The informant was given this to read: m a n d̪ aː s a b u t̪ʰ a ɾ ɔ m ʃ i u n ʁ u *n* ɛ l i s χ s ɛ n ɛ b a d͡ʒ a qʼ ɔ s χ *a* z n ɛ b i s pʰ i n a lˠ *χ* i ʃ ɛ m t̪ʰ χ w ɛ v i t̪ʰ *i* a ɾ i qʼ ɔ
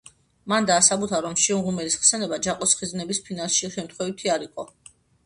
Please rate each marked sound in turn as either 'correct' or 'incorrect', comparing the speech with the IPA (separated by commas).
incorrect, incorrect, incorrect, correct